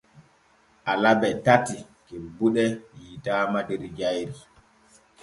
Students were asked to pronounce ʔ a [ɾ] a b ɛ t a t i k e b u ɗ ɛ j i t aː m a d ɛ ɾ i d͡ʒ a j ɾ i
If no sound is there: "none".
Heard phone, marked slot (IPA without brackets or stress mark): l